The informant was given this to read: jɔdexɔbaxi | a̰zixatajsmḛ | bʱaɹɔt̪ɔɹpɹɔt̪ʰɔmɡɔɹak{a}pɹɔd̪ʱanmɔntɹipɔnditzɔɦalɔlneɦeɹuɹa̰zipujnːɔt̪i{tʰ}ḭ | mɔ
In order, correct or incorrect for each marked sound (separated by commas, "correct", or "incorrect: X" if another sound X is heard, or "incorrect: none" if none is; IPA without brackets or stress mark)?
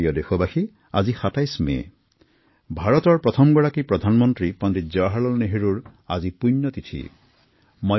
incorrect: i, correct